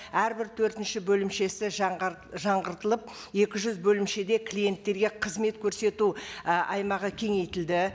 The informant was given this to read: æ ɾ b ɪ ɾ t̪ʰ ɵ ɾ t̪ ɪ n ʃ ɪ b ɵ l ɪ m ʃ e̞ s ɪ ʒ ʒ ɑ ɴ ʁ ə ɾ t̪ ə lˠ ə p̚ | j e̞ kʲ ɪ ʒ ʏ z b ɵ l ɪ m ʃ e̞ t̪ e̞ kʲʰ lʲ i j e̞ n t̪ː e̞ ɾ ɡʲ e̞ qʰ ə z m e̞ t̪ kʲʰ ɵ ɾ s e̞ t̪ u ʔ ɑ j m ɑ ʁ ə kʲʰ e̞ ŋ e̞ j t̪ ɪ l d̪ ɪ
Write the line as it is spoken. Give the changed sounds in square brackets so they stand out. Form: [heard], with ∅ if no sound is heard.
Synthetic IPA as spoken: æ ɾ b ɪ ɾ t̪ʰ ɵ ɾ t̪ ɪ n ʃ ɪ b ɵ l ɪ m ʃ e̞ s ɪ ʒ ʒ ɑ ɴ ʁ ə ɾ t̪ ə lˠ ə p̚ | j e̞ kʲ ɪ ʒ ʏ z b ɵ l ɪ m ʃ e̞ [d̪] e̞ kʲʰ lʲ i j e̞ n t̪ː e̞ ɾ ɡʲ e̞ qʰ ə z m e̞ t̪ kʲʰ ɵ ɾ s e̞ t̪ u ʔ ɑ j m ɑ ʁ ə kʲʰ e̞ ŋ e̞ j t̪ ɪ l d̪ ɪ